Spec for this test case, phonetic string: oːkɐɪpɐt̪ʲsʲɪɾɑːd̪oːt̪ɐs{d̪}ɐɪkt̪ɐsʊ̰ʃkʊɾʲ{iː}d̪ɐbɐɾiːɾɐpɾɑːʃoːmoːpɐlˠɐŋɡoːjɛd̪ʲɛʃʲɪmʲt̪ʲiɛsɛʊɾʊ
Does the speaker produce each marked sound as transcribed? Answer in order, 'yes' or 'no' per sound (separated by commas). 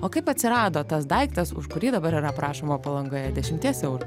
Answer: yes, yes